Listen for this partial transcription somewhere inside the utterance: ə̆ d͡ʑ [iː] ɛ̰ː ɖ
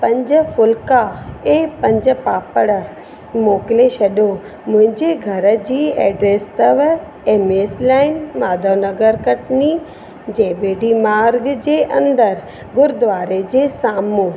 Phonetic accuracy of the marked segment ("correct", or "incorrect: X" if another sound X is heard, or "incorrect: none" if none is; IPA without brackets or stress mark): correct